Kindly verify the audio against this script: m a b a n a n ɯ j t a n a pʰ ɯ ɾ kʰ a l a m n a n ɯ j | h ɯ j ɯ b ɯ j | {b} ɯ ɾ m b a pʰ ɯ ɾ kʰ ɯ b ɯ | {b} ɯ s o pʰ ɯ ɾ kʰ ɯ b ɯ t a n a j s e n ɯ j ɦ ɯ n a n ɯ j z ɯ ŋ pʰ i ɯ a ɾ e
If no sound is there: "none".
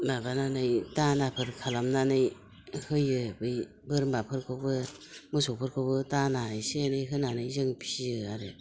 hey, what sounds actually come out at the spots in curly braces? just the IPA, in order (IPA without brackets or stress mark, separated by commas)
b, m